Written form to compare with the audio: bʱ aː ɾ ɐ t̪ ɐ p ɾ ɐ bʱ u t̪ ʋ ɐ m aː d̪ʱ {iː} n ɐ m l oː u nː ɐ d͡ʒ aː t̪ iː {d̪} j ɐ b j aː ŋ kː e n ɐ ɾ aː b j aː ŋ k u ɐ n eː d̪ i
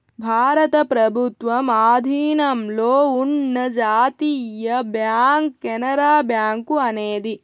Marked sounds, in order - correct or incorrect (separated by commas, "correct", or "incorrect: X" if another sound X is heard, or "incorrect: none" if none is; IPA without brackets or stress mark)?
correct, incorrect: none